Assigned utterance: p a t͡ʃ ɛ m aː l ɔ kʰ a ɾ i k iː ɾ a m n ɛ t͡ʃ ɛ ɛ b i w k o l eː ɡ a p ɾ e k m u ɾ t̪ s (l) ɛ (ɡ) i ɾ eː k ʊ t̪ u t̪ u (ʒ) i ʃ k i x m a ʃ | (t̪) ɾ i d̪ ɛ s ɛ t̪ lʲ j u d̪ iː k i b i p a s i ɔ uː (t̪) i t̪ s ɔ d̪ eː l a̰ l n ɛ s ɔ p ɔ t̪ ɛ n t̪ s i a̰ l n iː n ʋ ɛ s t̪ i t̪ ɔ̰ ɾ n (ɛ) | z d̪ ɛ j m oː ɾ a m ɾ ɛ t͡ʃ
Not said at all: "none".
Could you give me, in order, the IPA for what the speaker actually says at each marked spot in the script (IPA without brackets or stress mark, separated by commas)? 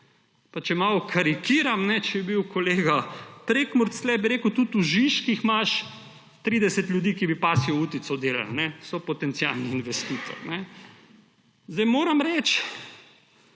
l, b, ʒ, t̪, t̪, ɛ